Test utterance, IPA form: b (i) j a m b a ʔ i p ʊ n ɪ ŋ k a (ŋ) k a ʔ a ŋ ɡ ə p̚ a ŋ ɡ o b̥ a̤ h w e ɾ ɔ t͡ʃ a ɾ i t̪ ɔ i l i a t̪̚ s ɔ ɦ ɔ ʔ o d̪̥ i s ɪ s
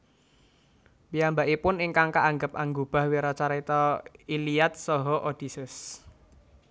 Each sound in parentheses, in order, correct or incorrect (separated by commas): correct, correct